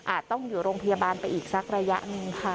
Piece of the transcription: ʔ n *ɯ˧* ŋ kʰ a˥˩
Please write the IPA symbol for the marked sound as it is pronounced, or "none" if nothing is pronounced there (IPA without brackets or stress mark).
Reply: ɯ˧